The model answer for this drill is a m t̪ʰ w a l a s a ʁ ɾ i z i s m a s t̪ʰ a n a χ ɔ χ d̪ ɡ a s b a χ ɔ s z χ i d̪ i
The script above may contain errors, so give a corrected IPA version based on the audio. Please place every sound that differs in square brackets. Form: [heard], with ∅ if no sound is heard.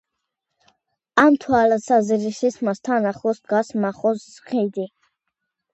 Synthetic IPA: a m t̪ʰ w a l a s a [z] ɾ i [s] i s m a s t̪ʰ a n a χ ɔ [s] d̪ ɡ a s [m] a χ ɔ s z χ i d̪ i